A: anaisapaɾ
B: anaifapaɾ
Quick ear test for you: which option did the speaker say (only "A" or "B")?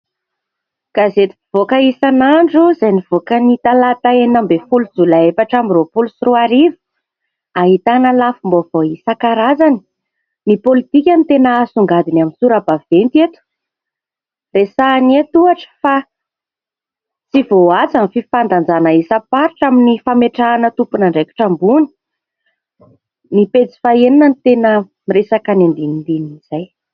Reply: A